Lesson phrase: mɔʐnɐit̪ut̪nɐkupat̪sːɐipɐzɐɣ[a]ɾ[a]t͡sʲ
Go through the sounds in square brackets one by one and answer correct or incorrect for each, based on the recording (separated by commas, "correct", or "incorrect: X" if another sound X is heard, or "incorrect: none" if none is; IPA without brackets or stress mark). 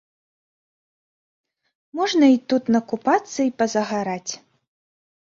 correct, correct